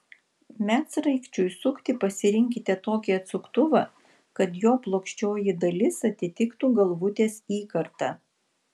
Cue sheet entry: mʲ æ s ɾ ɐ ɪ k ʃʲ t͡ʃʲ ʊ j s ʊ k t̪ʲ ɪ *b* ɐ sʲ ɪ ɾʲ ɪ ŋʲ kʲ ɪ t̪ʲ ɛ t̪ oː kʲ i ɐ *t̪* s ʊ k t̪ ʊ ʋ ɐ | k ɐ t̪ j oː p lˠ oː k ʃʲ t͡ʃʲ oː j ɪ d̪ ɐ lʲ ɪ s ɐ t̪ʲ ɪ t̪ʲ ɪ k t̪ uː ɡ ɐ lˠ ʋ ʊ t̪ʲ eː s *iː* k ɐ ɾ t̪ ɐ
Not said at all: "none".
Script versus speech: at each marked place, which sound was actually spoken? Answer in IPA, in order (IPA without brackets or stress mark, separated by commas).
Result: p, t̪, iː